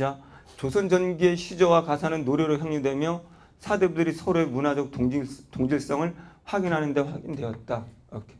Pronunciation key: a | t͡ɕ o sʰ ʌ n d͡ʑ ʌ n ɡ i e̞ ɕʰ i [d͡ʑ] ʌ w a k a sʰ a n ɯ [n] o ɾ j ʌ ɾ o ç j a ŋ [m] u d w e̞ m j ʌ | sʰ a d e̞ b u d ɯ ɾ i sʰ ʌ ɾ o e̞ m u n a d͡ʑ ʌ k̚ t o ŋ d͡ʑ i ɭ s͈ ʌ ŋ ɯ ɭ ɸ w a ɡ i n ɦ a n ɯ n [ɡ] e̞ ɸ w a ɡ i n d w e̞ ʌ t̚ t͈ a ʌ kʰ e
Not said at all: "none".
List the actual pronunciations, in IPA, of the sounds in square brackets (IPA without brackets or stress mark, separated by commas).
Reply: d͡ʑ, nː, ɲ, d